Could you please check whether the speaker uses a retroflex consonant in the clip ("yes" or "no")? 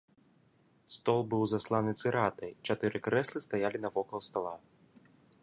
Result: no